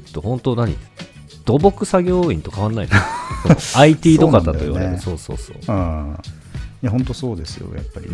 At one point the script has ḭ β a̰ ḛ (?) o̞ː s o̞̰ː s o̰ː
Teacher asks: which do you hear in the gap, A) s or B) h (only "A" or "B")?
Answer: A